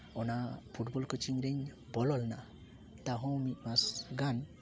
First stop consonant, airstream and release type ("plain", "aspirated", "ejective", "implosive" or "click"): aspirated